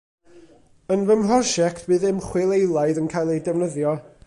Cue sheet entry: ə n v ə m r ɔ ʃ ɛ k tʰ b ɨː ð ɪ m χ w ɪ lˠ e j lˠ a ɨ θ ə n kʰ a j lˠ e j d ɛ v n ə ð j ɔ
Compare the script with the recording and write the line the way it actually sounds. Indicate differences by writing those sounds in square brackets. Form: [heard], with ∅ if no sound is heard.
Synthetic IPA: ə n v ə m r ɔ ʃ ɛ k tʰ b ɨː ð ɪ m χ w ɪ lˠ e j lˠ a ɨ [ð] ə n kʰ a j lˠ e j d ɛ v n ə ð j ɔ